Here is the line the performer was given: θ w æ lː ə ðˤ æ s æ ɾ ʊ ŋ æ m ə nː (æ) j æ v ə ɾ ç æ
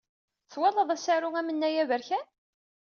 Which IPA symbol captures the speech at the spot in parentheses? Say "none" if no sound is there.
æ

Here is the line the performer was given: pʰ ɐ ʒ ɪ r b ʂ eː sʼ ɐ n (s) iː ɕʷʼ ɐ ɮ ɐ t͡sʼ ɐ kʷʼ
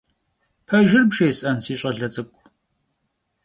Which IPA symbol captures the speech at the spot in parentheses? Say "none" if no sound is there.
s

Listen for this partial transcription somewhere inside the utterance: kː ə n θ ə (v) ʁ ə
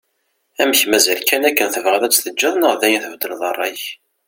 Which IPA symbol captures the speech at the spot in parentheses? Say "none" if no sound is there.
v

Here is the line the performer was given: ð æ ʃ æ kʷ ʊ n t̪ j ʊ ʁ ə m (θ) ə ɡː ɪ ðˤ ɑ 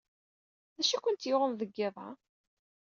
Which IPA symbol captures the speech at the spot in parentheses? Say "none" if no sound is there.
ð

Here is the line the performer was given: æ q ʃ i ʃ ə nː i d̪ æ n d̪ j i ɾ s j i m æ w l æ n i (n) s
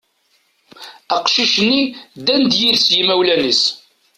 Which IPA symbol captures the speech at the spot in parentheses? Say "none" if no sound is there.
none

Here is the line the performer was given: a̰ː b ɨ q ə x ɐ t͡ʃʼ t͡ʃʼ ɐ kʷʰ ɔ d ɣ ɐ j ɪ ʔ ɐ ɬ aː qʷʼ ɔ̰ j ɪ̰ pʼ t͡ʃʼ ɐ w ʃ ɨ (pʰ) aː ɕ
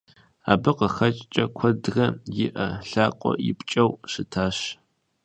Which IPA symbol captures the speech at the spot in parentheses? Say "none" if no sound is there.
tʰ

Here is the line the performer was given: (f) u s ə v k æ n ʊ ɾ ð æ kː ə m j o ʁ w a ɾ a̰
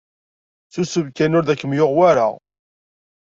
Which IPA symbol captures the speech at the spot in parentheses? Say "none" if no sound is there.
θ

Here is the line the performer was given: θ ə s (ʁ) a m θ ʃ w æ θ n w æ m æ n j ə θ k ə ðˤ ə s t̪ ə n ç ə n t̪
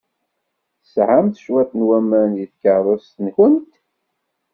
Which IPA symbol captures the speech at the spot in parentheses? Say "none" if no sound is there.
ʕ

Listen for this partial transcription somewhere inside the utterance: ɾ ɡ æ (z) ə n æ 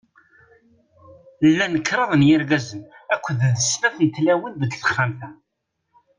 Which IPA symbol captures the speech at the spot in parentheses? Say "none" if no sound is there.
z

